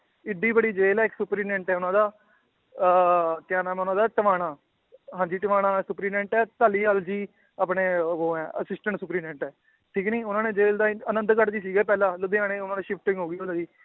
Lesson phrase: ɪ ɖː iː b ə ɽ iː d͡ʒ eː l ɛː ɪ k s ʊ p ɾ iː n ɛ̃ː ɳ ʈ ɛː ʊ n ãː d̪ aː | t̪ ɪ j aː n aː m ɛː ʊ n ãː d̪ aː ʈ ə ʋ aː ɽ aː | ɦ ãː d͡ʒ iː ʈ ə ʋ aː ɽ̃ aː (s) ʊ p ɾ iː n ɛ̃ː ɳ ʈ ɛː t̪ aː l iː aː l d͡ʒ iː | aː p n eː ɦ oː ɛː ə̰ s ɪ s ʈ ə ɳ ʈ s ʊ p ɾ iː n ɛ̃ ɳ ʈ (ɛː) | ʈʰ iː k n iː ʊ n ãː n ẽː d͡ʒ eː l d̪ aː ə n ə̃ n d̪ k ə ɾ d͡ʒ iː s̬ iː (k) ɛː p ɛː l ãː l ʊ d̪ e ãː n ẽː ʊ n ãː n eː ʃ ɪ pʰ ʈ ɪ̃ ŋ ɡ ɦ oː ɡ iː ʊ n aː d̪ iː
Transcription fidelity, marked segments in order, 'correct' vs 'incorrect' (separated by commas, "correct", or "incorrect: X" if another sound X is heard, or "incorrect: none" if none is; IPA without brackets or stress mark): correct, correct, incorrect: ɡ